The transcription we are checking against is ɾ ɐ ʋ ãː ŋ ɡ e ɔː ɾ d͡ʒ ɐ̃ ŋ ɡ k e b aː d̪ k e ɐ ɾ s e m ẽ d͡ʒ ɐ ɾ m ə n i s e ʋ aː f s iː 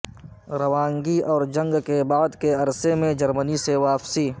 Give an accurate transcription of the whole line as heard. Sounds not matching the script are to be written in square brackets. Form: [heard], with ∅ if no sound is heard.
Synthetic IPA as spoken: ɾ ɐ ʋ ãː ŋ ɡ [i] ɔː ɾ d͡ʒ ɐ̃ ŋ ɡ k e b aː d̪ k e ɐ ɾ s e m ẽ d͡ʒ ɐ ɾ m ə n i s e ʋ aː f s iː